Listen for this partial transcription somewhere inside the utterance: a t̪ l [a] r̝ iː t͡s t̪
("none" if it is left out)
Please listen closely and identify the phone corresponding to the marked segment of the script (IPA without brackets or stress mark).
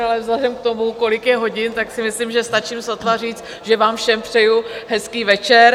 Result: a